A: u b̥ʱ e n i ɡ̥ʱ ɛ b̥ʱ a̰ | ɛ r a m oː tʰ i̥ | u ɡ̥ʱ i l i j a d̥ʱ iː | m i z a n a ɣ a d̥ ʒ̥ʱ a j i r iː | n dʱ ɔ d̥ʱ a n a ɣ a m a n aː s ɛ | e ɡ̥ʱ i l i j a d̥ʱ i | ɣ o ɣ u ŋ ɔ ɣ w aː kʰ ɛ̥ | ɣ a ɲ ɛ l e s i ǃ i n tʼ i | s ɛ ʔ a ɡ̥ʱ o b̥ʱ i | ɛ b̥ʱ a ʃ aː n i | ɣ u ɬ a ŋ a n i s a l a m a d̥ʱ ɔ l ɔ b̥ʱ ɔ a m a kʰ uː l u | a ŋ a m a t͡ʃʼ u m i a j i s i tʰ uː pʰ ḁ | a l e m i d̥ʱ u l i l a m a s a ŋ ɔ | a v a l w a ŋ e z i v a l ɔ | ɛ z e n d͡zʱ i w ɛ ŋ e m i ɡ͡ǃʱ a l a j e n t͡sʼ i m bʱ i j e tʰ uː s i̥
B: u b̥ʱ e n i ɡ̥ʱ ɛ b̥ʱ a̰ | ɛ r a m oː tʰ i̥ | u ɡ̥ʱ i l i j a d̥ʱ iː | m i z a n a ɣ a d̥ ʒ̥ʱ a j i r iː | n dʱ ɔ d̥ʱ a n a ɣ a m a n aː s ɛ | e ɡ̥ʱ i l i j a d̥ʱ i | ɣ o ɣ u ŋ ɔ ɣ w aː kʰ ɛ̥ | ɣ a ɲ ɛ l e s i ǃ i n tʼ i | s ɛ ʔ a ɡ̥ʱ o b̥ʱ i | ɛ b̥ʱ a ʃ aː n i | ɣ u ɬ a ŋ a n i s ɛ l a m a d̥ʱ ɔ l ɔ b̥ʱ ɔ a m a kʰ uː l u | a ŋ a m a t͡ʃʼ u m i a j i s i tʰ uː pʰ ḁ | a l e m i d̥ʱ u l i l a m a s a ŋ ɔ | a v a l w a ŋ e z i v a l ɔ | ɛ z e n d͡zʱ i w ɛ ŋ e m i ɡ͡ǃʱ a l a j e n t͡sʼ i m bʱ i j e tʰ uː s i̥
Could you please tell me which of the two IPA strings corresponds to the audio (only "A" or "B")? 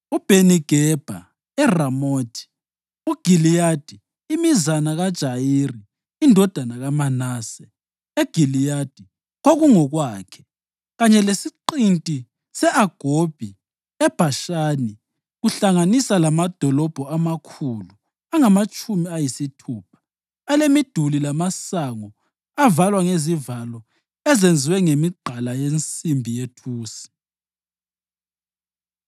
A